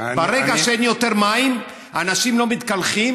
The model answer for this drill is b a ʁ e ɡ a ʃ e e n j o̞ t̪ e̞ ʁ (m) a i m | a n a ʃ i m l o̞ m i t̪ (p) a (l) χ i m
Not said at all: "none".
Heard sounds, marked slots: m, k, l

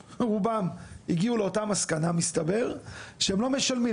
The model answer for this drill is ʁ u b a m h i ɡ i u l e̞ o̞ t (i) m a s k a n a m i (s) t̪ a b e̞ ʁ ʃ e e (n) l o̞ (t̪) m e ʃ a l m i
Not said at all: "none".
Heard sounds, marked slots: a, s, m, none

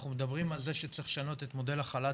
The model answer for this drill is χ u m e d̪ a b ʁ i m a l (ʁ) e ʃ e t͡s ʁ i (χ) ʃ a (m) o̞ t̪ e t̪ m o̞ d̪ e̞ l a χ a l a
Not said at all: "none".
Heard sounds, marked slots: z, χ, n

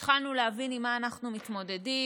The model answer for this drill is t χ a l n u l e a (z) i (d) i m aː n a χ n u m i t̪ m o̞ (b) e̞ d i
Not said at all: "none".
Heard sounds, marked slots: v, n, d

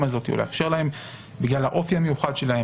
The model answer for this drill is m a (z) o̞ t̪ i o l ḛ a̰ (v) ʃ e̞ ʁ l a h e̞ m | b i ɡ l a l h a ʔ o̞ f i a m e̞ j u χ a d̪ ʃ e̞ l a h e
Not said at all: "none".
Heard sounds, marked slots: z, f

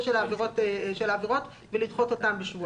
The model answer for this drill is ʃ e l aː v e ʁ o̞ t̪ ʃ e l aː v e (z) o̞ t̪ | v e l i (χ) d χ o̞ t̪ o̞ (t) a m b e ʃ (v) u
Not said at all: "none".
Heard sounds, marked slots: ʁ, none, t, v

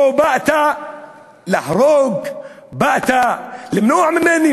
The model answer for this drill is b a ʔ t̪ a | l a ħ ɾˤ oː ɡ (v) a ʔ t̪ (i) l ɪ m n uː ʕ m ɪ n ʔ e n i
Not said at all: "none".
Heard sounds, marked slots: b, a

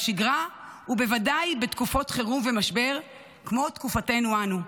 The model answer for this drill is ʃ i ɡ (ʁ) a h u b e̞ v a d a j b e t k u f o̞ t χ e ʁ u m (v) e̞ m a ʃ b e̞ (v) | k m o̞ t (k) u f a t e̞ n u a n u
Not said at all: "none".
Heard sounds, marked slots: ʁ, v, ʁ, k

